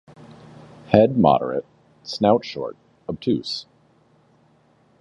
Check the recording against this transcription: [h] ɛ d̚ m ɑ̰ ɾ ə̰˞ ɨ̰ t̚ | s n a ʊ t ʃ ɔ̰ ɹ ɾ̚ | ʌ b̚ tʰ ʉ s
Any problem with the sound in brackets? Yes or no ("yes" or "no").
no